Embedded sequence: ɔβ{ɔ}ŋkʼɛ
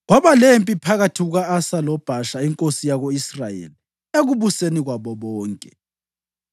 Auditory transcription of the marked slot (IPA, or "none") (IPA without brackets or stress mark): ɔː